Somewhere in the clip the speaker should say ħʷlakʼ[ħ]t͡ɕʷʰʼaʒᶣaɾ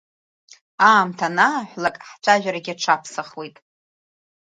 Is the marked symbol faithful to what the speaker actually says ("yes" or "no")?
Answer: yes